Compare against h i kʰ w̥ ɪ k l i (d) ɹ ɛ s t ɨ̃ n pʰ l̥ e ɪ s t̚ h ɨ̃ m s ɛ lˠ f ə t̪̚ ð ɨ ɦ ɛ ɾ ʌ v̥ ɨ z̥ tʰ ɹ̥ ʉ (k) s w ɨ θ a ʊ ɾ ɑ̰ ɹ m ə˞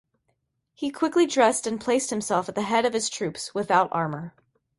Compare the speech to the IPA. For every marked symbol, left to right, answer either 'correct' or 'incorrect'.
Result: correct, incorrect: p

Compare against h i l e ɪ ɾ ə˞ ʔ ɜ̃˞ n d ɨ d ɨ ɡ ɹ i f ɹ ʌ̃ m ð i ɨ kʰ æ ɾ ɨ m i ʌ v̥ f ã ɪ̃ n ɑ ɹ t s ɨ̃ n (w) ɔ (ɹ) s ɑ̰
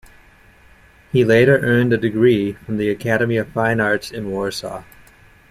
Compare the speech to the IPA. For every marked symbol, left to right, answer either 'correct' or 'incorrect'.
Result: correct, correct

